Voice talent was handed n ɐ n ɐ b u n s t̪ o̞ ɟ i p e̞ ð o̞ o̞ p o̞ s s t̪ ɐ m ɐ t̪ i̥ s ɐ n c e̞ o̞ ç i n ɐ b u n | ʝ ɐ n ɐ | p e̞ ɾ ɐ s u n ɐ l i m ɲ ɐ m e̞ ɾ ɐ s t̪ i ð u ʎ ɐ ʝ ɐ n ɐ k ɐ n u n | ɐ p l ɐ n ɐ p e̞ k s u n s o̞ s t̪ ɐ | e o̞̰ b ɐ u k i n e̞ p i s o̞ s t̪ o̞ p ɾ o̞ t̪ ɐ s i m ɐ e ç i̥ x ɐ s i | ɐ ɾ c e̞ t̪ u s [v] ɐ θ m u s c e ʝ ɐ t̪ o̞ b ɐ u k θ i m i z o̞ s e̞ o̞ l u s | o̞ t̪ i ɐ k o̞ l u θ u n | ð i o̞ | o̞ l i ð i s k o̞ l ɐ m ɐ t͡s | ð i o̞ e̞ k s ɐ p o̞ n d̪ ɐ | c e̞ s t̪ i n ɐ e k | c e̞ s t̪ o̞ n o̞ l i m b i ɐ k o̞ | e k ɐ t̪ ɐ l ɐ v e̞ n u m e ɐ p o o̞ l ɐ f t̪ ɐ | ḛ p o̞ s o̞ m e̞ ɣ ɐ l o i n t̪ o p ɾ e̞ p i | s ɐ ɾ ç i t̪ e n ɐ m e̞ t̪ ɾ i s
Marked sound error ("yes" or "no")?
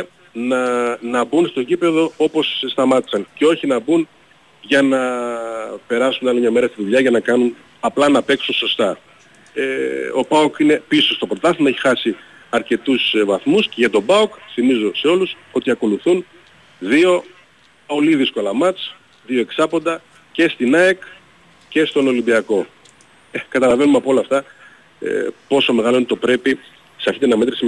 no